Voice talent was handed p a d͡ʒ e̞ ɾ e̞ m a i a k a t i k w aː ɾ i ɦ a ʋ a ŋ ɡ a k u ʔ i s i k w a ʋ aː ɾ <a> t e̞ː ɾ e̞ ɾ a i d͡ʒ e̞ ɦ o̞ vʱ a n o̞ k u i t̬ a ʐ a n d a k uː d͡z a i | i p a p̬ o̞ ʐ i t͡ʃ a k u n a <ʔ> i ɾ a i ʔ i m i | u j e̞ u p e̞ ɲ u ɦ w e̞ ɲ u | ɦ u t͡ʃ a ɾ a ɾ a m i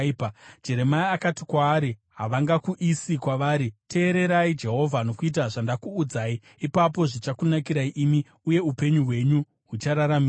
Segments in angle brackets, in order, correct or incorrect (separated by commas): incorrect, incorrect